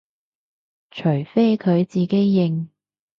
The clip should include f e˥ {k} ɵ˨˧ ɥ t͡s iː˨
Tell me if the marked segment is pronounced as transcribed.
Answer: no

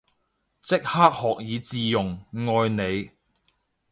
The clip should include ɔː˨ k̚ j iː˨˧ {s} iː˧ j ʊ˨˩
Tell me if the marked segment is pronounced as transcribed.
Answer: no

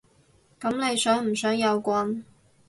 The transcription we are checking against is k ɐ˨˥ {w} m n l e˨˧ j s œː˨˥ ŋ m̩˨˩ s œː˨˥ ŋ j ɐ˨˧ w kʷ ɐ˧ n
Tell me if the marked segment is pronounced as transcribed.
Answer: no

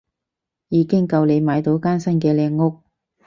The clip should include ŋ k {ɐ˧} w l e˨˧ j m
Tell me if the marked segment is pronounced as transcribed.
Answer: yes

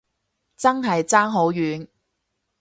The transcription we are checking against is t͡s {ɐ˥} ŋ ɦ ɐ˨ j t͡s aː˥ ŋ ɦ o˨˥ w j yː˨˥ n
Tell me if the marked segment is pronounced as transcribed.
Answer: yes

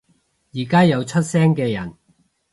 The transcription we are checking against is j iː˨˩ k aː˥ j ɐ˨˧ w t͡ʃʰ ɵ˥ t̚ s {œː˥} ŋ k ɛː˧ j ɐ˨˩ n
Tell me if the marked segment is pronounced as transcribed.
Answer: no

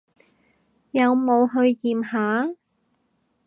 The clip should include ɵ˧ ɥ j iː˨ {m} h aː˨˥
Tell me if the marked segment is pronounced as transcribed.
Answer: yes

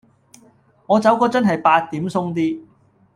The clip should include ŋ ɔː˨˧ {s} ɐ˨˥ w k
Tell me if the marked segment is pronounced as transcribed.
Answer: no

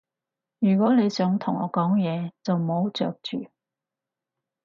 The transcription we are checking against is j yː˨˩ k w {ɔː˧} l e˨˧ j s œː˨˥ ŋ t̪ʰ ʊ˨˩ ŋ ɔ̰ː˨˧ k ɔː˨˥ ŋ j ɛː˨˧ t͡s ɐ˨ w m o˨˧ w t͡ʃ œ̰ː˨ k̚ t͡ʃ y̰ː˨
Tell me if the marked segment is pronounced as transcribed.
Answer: no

